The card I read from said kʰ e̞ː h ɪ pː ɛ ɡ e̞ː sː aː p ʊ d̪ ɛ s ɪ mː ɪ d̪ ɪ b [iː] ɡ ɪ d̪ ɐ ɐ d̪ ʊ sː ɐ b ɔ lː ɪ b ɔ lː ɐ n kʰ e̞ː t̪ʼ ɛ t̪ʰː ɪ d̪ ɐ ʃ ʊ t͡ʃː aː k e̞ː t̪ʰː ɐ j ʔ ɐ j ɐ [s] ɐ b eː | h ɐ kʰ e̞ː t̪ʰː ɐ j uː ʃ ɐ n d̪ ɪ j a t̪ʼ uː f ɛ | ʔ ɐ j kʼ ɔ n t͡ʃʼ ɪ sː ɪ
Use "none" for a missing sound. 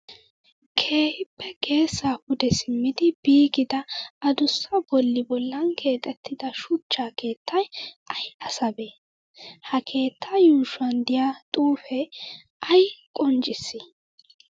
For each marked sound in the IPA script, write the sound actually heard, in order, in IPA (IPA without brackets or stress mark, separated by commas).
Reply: iː, s